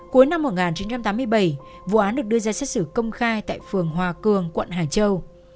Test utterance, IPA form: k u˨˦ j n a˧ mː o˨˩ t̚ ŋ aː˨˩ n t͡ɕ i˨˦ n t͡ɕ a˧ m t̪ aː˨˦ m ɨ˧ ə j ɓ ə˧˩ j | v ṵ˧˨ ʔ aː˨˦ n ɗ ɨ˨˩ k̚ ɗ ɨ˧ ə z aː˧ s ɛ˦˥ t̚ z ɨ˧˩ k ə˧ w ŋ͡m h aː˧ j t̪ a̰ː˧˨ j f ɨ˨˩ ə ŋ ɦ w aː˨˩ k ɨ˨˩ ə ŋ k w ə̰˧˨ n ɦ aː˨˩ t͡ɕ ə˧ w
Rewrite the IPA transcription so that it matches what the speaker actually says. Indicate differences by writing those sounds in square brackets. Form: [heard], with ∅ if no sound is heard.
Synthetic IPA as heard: k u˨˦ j n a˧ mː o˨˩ t̚ ŋ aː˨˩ n t͡ɕ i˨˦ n t͡ɕ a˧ m t̪ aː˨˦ m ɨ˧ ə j ɓ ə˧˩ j | v ṵ˧˨ ʔ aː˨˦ n ɗ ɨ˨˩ k̚ ɗ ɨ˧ ə z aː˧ s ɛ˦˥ t̚ [s] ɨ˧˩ k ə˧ w ŋ͡m [x] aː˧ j t̪ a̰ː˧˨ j f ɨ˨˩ ə ŋ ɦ w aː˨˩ k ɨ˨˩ ə ŋ k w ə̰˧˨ n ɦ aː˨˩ t͡ɕ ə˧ w